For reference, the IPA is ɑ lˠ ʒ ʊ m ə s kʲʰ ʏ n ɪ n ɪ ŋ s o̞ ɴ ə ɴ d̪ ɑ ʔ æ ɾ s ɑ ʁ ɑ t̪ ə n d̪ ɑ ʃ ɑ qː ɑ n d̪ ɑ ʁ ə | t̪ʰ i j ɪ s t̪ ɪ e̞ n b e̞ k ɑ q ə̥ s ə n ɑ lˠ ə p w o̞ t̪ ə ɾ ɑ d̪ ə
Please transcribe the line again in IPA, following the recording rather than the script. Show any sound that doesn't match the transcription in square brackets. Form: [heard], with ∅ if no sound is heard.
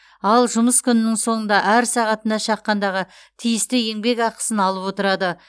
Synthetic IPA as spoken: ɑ lˠ ʒ ʊ m ə s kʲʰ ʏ n ɪ n ɪ ŋ s o̞ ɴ ə [n] d̪ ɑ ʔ æ ɾ s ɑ ʁ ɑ t̪ ə n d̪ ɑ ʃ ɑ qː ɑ n d̪ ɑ ʁ ə | t̪ʰ i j ɪ s t̪ ɪ e̞ [ŋ] b e̞ k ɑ q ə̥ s ə n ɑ lˠ ə p w o̞ t̪ ə ɾ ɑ d̪ ə

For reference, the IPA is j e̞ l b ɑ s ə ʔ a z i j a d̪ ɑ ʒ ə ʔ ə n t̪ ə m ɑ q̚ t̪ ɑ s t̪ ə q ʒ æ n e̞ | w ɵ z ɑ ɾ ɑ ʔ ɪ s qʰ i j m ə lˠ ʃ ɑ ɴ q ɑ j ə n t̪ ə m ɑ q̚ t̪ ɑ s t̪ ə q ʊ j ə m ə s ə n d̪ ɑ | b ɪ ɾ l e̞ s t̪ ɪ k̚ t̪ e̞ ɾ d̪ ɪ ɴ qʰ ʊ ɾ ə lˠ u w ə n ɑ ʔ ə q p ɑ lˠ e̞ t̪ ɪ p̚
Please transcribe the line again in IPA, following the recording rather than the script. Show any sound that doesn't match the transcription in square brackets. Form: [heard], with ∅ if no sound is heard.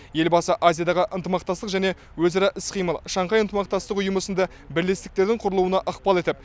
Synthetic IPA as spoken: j e̞ l b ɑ s ə ʔ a z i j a d̪ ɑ [ʁ] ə ʔ ə n t̪ ə m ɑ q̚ t̪ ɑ s t̪ ə q ʒ æ n e̞ | w ɵ z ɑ ɾ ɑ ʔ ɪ s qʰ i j m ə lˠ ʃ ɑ ɴ q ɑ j ə n t̪ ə m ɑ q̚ t̪ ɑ s t̪ ə q ʊ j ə m ə s ə n d̪ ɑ | b ɪ ɾ l e̞ s t̪ ɪ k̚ t̪ e̞ ɾ d̪ ɪ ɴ qʰ ʊ ɾ ə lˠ u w ə n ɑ ʔ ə q p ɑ lˠ e̞ t̪ ɪ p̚

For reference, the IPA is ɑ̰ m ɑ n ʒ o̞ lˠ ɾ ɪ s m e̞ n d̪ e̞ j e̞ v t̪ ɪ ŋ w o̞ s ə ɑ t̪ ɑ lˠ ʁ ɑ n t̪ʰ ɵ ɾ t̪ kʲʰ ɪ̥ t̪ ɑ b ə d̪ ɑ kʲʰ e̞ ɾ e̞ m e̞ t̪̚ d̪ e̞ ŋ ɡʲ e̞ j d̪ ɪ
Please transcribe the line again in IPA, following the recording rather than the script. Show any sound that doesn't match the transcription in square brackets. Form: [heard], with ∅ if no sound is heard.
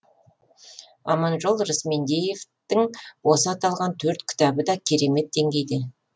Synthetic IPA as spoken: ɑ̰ m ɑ n ʒ o̞ lˠ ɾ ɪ s m e̞ n d̪ e̞ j e̞ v t̪ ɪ ŋ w o̞ s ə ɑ t̪ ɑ lˠ ʁ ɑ n t̪ʰ ɵ ɾ t̪ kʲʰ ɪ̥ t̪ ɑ b ə d̪ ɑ kʲʰ e̞ ɾ e̞ m e̞ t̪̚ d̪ e̞ ŋ ɡʲ e̞ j d̪ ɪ

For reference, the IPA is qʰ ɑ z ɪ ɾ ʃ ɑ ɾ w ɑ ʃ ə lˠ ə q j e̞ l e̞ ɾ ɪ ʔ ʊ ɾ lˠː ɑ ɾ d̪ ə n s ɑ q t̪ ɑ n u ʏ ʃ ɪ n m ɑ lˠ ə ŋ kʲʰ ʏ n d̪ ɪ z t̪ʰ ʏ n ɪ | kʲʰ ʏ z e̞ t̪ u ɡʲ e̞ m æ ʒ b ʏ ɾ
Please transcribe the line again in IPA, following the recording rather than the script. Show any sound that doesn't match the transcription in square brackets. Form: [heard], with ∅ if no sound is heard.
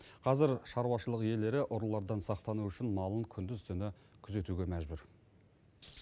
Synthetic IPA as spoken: qʰ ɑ z ɪ ɾ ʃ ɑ ɾ w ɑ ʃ ə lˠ ə q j e̞ l e̞ ɾ ɪ ʔ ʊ ɾ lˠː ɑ ɾ d̪ [ɑ] n s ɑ q t̪ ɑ n u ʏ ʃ ɪ n m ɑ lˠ ə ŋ kʲʰ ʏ n d̪ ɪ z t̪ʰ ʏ n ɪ | kʲʰ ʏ z e̞ t̪ u ɡʲ e̞ m æ ʒ b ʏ ɾ

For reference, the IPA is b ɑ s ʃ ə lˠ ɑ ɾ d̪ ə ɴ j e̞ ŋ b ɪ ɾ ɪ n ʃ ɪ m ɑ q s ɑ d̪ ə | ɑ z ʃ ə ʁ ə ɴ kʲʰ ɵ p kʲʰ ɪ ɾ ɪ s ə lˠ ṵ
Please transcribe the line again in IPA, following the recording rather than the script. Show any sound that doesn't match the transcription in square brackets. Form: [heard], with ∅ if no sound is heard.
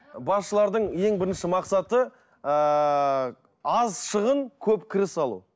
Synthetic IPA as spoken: b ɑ s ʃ ə lˠ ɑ ɾ d̪ ə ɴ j e̞ ŋ b ɪ ɾ ɪ n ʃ ɪ m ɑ q s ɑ [t̪] ə | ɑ z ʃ ə ʁ ə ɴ kʲʰ ɵ p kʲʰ ɪ ɾ ɪ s [ɑ] lˠ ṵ

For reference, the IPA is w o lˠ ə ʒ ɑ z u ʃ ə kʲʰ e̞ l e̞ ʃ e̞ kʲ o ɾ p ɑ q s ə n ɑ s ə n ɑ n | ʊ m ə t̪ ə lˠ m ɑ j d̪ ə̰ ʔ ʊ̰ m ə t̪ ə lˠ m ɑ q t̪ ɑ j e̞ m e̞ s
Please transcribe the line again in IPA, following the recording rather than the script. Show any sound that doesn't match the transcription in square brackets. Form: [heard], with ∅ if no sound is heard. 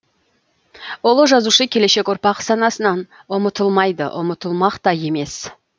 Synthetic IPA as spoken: w o lˠ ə ʒ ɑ z u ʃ ə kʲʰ e̞ l e̞ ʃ e̞ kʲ o ɾ p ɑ q s [ɑ] n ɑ s ə n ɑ n | ʊ m ə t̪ ə lˠ m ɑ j d̪ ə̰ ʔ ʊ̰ m ə t̪ ə lˠ m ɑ q t̪ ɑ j e̞ m e̞ s

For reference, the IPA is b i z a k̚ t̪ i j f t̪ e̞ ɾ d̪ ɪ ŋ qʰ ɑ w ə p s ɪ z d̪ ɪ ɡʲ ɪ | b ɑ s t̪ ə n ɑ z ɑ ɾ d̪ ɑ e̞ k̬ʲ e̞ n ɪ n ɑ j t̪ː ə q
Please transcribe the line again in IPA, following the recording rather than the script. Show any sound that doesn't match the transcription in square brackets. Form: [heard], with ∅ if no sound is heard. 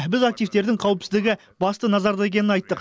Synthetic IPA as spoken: b [ɪ] z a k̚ t̪ i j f t̪ e̞ ɾ d̪ ɪ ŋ qʰ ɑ w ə p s ɪ z d̪ ɪ ɡʲ ɪ | b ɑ s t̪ ə n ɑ z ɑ ɾ d̪ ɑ e̞ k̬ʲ e̞ n ɪ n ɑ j t̪ː ə q

